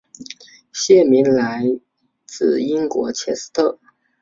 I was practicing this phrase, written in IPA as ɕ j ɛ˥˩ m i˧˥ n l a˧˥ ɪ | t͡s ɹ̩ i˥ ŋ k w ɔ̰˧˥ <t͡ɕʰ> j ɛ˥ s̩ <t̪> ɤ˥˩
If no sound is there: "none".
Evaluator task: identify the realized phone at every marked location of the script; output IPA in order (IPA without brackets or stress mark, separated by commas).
t͡ɕʰ, t̪ʰ